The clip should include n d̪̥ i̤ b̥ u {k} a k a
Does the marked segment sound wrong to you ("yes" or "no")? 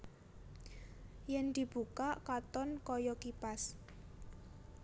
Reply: no